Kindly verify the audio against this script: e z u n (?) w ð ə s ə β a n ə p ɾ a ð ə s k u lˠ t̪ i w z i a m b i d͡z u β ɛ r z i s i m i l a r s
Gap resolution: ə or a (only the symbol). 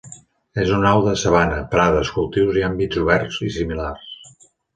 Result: a